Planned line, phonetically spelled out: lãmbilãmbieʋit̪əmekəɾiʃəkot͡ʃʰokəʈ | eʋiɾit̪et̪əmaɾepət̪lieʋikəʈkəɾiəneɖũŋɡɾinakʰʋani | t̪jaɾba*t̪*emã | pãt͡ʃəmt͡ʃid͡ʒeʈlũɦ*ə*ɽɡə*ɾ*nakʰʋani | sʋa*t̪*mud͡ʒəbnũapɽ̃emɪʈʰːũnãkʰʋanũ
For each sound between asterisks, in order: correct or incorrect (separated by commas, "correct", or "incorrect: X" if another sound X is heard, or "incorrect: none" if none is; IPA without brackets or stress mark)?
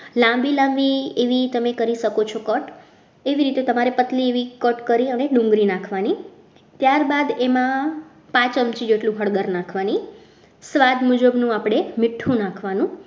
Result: incorrect: d̪, correct, correct, incorrect: d̪